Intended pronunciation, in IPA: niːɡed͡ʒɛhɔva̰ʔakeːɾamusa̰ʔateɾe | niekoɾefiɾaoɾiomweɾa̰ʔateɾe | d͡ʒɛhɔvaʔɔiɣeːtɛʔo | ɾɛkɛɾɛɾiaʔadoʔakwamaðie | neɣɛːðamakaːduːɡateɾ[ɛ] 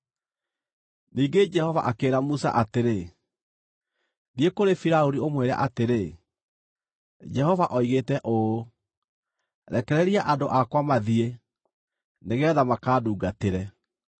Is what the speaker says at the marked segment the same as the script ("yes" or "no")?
yes